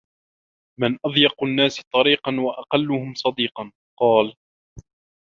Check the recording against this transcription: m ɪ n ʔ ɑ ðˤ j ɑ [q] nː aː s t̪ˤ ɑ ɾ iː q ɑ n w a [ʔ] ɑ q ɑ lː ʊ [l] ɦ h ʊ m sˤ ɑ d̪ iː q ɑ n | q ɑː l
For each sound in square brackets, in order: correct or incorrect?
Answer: correct, correct, incorrect: none

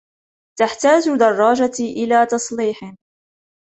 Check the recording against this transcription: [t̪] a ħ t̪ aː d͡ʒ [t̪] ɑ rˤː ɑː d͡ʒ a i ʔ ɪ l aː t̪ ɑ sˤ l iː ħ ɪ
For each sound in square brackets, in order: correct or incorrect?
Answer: correct, incorrect: d̪

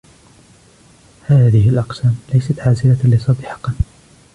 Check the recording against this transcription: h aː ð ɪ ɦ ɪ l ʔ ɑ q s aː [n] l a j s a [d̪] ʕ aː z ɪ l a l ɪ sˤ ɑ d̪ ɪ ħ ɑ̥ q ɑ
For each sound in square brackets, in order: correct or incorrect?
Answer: incorrect: m, incorrect: t̪

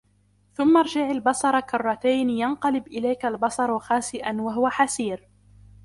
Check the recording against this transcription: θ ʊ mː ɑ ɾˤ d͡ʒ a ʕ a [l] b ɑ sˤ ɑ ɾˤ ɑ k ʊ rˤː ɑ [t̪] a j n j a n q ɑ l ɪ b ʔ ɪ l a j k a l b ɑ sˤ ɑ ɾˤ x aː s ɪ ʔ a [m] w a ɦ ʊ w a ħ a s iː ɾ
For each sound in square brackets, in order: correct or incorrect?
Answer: correct, correct, incorrect: n

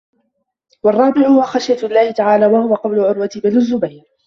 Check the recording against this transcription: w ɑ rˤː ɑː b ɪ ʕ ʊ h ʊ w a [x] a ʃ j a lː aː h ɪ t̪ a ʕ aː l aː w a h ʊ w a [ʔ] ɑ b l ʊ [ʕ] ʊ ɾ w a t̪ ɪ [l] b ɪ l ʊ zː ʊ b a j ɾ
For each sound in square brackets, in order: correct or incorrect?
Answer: correct, incorrect: q, correct, incorrect: none

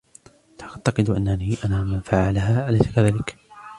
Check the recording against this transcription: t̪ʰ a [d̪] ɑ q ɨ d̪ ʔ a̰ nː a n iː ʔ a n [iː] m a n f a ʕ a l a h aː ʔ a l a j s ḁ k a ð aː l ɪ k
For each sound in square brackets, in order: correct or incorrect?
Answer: incorrect: t̪, incorrect: aː

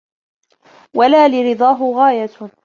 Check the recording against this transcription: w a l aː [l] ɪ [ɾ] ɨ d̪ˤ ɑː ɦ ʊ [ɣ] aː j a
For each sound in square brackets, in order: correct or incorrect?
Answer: correct, correct, correct

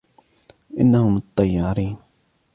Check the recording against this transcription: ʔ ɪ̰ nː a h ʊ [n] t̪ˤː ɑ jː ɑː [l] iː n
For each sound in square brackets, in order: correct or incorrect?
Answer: incorrect: m, incorrect: ɾ

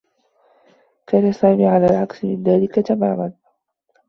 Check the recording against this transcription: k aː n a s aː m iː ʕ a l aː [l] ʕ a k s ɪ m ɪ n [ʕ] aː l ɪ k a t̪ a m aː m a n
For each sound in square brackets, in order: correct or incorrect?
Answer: correct, incorrect: ð

